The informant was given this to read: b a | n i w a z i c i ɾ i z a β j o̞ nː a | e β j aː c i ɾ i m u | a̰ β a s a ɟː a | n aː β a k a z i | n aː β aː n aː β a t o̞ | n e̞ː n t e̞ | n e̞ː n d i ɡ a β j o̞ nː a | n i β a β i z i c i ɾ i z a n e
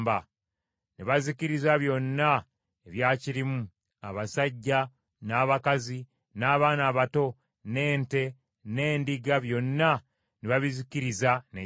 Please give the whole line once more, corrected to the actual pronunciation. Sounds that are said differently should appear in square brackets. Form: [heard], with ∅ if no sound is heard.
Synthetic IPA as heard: b a | n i [β] a z i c i ɾ i z a β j o̞ nː a | e β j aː c i ɾ i m u | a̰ β a s a ɟː a | n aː β a k a z i | n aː β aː n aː β a t o̞ | n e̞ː n t e̞ | n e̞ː n d i ɡ a β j o̞ nː a | n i β a β i z i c i ɾ i z a n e